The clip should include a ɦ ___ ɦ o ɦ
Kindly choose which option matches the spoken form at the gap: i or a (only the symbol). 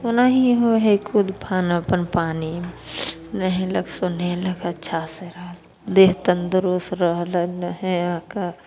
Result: i